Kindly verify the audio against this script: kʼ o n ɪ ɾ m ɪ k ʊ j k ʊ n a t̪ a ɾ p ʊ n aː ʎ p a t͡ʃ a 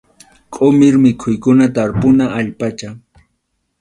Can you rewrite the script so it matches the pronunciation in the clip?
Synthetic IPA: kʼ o m ɪ ɾ m ɪ kʰ ʊ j k ʊ n a t̪ a ɾ p ʊ n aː ʎ p a t͡ʃ a